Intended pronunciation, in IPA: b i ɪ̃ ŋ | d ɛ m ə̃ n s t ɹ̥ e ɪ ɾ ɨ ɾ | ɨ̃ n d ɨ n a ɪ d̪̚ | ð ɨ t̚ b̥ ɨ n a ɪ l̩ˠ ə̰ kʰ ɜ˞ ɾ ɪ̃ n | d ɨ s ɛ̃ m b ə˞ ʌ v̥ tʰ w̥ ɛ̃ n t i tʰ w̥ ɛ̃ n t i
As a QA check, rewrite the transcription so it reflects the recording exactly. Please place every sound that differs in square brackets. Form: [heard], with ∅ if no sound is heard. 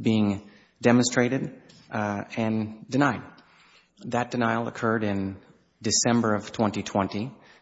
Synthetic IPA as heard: b i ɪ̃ ŋ | d ɛ m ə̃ n s t ɹ̥ e ɪ ɾ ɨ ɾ | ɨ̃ n d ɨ n a ɪ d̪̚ | ð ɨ t̚ [d̥] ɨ n a ɪ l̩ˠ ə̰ kʰ ɜ˞ ɾ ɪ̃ n | d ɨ s ɛ̃ m b ə˞ ʌ v̥ tʰ w̥ ɛ̃ n t i tʰ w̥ ɛ̃ n t i